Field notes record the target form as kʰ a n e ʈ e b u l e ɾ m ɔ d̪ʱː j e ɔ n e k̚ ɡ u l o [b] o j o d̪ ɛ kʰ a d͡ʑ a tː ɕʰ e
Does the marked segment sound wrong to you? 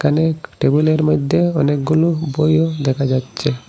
no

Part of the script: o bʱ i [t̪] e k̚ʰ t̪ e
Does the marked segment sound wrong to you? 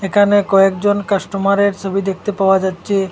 yes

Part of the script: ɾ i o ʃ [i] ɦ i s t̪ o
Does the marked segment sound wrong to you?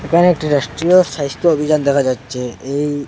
yes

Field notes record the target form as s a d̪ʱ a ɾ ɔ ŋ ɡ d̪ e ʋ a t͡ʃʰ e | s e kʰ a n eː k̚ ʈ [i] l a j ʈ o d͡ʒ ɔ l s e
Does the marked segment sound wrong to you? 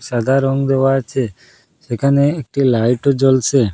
no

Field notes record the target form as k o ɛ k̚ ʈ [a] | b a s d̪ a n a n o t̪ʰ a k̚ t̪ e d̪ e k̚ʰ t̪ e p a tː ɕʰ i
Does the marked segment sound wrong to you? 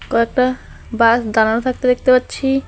no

